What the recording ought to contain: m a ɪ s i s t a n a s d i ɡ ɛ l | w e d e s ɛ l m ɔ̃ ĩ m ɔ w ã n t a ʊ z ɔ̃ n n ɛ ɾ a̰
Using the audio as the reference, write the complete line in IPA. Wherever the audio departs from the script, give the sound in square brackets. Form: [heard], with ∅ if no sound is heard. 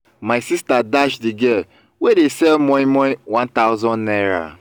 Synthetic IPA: m a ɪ s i s t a [d] a [ʃ] d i ɡ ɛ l | w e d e s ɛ l m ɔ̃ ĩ m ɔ w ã n t a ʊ z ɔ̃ n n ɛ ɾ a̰